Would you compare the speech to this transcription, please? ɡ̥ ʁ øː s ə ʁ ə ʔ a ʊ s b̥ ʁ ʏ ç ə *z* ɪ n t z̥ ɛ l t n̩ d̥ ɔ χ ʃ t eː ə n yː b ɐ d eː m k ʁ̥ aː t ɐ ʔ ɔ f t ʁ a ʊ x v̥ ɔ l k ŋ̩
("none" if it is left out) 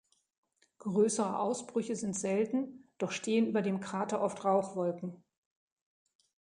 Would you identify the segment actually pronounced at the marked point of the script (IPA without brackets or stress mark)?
z